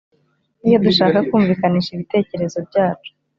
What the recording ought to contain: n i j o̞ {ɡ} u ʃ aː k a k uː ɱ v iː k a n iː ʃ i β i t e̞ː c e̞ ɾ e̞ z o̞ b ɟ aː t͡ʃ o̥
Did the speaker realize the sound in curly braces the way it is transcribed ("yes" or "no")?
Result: no